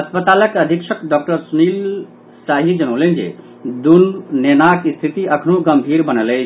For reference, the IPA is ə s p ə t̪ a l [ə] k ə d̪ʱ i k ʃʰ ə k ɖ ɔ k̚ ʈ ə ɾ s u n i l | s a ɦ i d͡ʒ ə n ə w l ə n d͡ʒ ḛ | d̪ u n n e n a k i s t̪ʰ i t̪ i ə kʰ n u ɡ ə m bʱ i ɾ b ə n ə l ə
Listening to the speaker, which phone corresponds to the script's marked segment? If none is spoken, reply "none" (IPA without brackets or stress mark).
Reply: ə